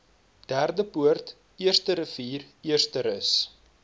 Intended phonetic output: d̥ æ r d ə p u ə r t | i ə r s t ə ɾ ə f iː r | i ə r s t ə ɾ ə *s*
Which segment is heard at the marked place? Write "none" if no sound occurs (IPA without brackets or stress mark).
s